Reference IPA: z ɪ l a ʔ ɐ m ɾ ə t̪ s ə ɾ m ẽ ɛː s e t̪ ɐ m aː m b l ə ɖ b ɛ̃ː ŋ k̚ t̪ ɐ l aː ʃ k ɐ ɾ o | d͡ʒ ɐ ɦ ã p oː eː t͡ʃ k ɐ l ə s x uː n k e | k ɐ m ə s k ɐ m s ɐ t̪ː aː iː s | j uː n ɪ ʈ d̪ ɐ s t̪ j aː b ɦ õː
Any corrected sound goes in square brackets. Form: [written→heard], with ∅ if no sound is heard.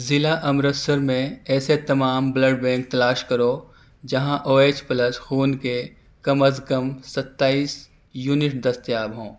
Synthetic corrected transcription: z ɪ l a ʔ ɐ m ɾ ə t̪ s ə ɾ m ẽ ɛː s e t̪ ɐ m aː m b l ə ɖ b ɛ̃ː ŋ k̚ t̪ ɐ l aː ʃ k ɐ ɾ o | d͡ʒ ɐ ɦ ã [p→ʔ] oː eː t͡ʃ [k→p] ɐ l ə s x uː n k e | k ɐ m ə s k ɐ m s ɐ t̪ː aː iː s | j uː n ɪ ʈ d̪ ɐ s t̪ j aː b ɦ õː